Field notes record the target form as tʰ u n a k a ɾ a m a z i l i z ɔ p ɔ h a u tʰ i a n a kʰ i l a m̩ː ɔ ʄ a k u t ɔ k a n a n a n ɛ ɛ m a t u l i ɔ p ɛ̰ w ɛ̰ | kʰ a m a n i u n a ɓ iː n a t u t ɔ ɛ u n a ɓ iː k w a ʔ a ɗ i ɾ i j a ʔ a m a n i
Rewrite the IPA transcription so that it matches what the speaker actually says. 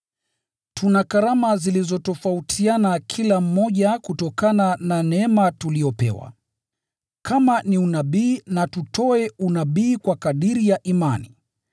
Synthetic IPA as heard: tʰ u n a k a ɾ a m a z i l i z ɔ t ɔ f a u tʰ i a n a kʰ i l a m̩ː ɔ ʄ a k u t ɔ k a n a n a n ɛ ɛ m a t u l i ɔ p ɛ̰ w a̰ | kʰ a m a n i u n a ɓ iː n a t u t ɔ ɛ u n a ɓ iː k w a k a ɗ i ɾ i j a ʔ i m a n i